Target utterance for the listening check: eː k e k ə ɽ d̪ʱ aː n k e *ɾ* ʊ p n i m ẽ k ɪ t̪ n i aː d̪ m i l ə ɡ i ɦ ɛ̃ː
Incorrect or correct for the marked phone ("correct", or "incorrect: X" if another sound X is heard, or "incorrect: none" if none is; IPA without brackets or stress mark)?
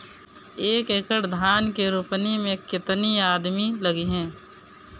correct